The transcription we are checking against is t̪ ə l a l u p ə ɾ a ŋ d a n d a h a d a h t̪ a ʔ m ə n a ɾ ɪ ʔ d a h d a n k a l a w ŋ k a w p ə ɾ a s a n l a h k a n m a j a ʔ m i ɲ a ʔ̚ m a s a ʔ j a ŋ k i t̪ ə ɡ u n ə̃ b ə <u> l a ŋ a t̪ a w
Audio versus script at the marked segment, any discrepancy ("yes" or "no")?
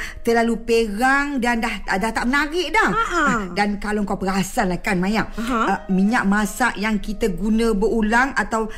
no